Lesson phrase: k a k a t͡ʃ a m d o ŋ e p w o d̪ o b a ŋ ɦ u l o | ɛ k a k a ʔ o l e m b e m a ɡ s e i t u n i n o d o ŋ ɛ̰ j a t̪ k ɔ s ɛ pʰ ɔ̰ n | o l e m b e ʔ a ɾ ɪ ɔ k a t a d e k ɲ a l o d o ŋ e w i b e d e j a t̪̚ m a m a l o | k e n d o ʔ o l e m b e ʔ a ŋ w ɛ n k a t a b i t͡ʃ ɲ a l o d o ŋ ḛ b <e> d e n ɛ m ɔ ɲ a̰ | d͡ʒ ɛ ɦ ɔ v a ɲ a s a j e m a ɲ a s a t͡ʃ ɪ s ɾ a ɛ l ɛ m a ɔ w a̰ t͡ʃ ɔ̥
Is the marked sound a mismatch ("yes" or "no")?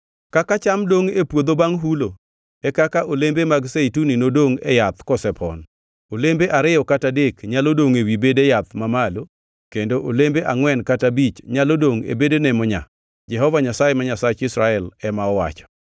no